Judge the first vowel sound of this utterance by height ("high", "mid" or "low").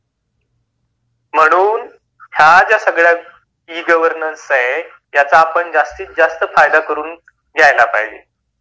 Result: mid